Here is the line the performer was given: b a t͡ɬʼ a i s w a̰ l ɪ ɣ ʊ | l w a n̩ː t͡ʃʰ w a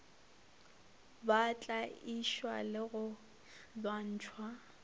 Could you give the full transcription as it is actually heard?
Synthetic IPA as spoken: b a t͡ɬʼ a i ʃ w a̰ l ɪ ɣ ʊ | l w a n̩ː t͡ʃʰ w a